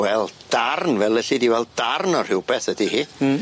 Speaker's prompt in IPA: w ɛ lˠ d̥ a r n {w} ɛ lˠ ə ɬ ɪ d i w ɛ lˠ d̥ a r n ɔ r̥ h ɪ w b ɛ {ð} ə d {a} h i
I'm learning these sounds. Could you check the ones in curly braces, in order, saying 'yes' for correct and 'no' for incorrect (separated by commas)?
no, no, no